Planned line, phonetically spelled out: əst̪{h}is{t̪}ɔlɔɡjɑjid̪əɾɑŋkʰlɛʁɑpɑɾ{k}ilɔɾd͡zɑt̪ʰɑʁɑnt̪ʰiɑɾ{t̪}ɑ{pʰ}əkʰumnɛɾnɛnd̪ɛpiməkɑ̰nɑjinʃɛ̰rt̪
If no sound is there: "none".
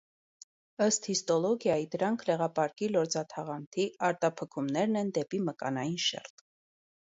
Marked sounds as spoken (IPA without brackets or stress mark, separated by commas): h, t̪, k, t̪, pʰ